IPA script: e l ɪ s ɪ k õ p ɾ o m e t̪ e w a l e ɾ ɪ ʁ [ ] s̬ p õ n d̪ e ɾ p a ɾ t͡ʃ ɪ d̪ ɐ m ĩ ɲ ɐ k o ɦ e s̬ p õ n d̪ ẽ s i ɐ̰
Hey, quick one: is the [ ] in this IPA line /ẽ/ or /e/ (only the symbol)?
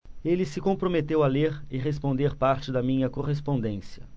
e